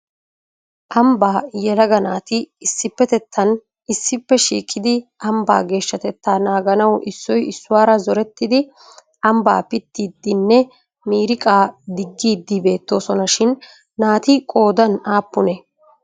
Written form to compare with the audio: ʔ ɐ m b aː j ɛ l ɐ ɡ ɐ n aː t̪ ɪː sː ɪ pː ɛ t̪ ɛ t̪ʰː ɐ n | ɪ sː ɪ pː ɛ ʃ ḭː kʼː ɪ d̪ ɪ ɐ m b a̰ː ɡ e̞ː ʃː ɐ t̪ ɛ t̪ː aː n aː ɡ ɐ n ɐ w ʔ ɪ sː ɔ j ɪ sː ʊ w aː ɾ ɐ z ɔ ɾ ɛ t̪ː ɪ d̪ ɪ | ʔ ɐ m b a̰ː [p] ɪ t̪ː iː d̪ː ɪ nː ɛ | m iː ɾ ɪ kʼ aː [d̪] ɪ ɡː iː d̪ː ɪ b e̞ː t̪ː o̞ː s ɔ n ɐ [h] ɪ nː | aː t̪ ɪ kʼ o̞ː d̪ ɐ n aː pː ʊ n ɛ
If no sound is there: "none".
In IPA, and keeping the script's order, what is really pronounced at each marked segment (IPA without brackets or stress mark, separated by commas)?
p, d̪, ʃ